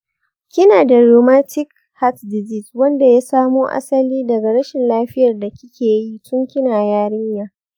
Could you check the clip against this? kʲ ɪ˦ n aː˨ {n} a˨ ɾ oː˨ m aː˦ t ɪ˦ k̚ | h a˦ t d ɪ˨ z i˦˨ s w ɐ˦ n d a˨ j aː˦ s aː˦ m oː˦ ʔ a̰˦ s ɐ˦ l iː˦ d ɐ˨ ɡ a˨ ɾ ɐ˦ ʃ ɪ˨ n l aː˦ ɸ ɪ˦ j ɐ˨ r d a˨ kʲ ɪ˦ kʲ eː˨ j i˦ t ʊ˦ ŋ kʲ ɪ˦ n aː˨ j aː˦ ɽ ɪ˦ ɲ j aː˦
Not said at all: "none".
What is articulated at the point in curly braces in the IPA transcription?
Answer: d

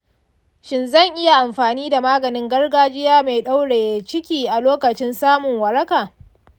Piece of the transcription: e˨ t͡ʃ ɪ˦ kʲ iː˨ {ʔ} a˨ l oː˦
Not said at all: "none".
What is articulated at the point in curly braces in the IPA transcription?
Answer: ʔ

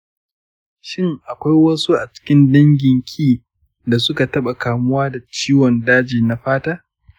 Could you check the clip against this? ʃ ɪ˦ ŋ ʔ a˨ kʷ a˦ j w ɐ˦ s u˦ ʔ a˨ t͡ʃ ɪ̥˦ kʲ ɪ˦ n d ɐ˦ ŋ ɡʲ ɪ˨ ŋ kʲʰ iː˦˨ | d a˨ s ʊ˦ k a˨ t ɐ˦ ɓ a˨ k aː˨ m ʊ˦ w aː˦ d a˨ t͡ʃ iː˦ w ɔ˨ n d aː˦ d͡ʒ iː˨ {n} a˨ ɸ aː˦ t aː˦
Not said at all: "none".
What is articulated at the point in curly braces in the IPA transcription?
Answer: n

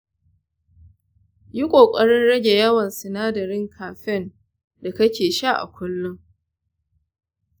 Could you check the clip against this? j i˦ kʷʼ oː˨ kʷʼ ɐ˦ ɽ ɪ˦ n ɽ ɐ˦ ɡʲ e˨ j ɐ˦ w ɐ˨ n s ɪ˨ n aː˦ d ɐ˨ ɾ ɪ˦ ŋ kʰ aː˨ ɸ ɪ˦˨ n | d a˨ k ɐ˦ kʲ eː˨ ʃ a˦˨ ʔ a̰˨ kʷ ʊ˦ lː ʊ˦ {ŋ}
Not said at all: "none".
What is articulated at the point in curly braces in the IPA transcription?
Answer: ŋ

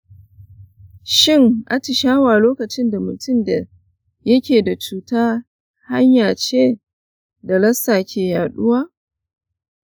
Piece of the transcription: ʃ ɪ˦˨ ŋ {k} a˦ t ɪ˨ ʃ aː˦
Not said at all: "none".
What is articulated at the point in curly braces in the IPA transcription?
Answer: ʔ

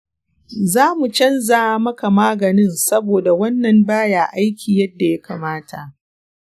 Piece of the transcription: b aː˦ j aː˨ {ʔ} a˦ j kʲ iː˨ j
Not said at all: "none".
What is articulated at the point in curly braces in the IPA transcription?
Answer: ʔ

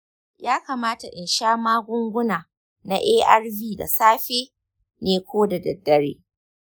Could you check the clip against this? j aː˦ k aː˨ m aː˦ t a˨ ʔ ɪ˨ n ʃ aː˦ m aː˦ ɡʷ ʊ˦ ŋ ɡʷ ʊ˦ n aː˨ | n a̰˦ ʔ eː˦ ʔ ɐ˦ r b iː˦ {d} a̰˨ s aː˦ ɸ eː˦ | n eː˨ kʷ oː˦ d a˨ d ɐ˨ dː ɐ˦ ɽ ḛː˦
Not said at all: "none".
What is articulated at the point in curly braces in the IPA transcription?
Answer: d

